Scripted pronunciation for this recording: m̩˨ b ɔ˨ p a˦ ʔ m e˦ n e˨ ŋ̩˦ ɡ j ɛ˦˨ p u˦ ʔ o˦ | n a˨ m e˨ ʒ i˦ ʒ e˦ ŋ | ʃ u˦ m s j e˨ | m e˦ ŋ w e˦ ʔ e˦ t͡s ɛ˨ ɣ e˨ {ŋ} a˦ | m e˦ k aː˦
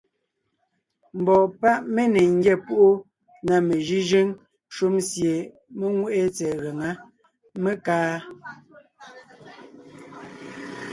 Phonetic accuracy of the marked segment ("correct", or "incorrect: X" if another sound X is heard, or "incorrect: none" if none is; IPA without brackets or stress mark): correct